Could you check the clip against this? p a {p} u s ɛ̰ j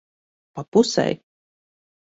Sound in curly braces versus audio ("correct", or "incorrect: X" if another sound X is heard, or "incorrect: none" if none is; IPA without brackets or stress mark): correct